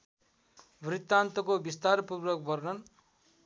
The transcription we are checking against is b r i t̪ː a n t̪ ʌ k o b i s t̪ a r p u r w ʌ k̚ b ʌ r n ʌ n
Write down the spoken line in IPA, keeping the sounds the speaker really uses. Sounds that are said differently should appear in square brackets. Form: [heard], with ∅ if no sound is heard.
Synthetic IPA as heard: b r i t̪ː a n t̪ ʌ k o b i s t̪ a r p u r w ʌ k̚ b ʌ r n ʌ n